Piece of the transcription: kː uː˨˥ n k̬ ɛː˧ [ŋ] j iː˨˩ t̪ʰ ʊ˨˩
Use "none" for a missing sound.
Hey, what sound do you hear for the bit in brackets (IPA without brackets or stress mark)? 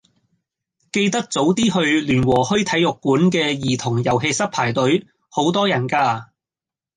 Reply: none